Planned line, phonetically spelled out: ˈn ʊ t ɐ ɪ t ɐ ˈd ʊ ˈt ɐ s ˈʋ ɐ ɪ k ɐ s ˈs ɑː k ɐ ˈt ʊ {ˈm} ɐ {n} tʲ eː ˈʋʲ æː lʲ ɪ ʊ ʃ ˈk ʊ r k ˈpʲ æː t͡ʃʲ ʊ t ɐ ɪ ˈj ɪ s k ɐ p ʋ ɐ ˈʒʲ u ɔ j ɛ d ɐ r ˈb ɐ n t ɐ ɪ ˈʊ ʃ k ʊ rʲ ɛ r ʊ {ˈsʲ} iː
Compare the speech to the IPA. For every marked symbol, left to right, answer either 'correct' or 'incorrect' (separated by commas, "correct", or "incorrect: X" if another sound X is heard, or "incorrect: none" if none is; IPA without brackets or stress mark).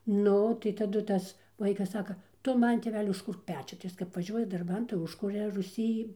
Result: correct, correct, correct